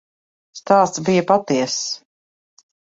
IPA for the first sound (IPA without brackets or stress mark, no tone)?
s